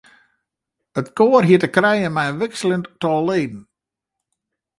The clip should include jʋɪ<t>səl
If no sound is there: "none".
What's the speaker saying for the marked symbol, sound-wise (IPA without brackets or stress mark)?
k